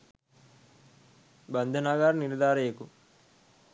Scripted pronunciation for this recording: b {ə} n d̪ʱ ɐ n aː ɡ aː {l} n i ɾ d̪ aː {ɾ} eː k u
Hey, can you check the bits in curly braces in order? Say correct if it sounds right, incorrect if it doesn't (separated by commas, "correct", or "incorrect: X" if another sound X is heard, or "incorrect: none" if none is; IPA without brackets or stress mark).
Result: incorrect: ɐ, incorrect: ɾ, correct